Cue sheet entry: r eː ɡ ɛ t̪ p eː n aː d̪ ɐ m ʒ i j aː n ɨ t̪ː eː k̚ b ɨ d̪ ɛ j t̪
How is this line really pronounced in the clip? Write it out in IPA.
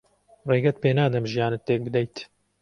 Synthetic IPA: r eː ɡ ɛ t̪ p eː n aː d̪ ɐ m ʒ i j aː n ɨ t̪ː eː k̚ b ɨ d̪ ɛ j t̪